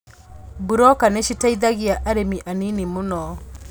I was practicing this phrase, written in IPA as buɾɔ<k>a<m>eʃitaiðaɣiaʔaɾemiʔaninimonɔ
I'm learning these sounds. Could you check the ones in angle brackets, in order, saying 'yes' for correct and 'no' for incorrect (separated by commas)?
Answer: yes, no